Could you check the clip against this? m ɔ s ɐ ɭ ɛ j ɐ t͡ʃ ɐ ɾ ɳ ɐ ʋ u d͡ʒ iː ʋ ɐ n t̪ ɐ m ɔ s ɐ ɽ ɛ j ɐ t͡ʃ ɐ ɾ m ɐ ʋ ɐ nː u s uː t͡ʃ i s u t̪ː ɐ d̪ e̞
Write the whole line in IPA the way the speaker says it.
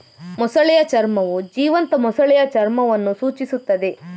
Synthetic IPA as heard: m ɔ s ɐ ɭ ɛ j ɐ t͡ʃ ɐ ɾ m ɐ ʋ u d͡ʒ iː ʋ ɐ n t̪ ɐ m ɔ s ɐ ɭ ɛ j ɐ t͡ʃ ɐ ɾ m ɐ ʋ ɐ nː u s uː t͡ʃ i s u t̪ː ɐ d̪ e̞